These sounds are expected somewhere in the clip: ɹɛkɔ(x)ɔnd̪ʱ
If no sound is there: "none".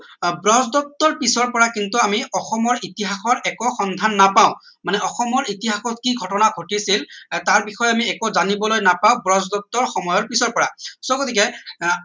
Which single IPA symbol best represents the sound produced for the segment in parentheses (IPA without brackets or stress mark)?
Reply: x